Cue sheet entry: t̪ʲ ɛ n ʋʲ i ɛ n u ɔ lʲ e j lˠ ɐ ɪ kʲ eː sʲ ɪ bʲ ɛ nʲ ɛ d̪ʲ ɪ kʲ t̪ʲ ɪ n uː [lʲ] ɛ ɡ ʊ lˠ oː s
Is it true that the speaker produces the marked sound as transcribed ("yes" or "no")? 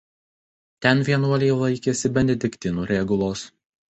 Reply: no